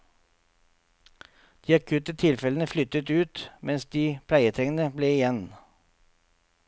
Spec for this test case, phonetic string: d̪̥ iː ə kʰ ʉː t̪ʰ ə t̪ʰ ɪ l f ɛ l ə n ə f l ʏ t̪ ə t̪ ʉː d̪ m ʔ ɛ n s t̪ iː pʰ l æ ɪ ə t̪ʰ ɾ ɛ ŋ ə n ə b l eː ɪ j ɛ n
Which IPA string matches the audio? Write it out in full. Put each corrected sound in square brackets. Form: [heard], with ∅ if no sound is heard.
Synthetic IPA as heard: d̪̥ iː [ɑ] kʰ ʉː [t̪] ə t̪ʰ ɪ l f ɛ l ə n ə f l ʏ t̪ ə t̪ ʉː [t̪] m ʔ ɛ n s [d̪] iː pʰ l æ ɪ ə t̪ʰ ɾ ɛ ŋ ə n ə b l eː ɪ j ɛ n